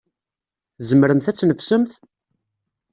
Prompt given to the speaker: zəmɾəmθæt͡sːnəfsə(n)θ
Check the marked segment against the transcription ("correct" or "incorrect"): incorrect